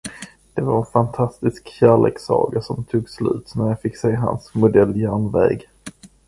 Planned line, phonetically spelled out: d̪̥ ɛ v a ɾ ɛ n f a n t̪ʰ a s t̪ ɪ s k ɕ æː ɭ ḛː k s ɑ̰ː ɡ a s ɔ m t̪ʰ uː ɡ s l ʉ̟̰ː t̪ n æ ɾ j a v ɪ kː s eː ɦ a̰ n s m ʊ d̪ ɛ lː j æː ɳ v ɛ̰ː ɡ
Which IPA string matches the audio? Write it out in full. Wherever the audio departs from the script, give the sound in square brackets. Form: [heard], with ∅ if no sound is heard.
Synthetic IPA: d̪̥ ɛ v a ɾ ɛ n f a n t̪ʰ a s t̪ ɪ s k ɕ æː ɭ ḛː k s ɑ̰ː ɡ a s ɔ m t̪ʰ uː ɡ s l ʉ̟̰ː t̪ n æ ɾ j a [f] ɪ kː s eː ɦ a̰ n s m ʊ d̪ ɛ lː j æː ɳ v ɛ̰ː ɡ